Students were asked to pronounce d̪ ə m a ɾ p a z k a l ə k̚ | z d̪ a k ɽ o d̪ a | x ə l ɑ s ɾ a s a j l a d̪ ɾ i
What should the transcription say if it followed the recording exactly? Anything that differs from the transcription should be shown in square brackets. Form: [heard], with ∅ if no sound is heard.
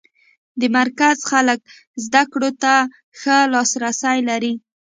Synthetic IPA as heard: d̪ ə m a ɾ [k] a z [x] a l ə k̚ | z d̪ a k ɽ o [t̪] a | x ə l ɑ s ɾ a s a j l a [∅] ɾ i